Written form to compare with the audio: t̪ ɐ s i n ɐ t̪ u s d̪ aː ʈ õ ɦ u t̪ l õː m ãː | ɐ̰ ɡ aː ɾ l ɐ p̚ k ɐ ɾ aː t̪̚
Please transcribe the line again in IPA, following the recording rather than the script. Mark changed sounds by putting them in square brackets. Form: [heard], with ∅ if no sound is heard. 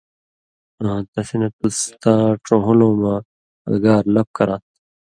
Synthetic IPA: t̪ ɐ s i n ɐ t̪ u s [t̪] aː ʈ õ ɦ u [∅] l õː m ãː | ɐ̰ ɡ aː ɾ l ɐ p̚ k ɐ ɾ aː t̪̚